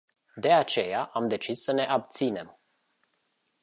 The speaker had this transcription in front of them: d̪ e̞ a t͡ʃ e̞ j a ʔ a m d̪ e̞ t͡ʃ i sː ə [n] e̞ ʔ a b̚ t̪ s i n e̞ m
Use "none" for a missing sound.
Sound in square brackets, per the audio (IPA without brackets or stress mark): n